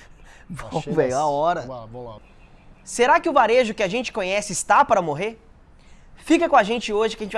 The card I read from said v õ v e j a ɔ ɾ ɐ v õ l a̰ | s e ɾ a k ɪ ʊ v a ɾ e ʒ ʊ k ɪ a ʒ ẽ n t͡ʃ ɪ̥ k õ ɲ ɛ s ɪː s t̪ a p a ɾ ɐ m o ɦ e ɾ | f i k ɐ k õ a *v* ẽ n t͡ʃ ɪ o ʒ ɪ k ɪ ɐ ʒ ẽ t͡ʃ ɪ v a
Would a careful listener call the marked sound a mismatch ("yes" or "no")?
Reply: yes